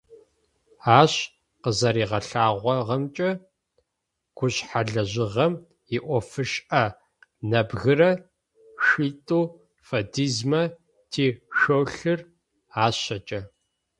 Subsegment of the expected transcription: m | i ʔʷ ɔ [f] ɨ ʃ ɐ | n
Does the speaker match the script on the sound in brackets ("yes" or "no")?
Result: yes